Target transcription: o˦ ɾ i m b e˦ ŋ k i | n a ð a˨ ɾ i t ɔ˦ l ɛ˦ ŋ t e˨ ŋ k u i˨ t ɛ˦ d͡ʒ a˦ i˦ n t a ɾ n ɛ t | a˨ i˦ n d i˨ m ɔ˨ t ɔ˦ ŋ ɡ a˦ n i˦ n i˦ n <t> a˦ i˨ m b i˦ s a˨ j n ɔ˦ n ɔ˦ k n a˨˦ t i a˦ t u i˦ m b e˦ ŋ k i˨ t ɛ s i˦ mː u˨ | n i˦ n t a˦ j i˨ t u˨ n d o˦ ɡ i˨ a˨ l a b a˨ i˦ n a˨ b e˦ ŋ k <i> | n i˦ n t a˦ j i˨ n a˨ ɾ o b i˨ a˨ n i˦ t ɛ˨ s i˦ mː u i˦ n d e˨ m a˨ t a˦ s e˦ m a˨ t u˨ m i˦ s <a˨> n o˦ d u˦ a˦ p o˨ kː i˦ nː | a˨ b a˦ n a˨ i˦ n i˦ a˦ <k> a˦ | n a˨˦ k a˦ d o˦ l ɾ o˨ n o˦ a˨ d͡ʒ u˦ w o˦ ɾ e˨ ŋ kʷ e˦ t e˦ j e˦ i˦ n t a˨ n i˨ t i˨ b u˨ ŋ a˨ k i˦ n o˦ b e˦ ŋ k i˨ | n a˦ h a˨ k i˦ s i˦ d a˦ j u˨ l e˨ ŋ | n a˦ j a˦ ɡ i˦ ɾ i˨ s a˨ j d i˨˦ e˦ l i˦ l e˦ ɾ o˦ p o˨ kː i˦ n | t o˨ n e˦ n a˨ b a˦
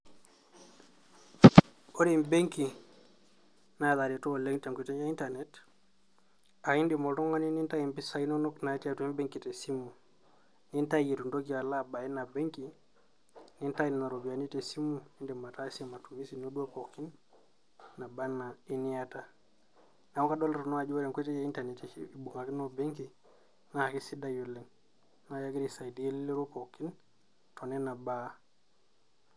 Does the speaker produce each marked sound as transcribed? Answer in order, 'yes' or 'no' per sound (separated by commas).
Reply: yes, yes, no, no